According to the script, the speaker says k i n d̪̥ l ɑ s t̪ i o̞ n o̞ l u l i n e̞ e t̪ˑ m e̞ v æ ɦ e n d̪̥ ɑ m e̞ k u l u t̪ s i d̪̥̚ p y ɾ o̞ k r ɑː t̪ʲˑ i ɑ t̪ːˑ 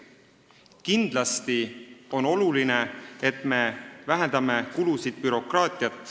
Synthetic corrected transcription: k i n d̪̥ l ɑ s t̪ i o̞ n o̞ l u l i n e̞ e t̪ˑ m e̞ v æ ɦ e n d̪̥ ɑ m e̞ k u l u s i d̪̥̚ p y ɾ o̞ k r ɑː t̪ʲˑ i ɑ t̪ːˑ